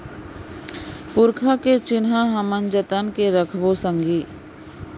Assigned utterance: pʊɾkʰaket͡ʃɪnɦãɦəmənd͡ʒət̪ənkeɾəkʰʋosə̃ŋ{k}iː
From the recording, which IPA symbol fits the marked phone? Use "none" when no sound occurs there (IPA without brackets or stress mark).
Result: ɡ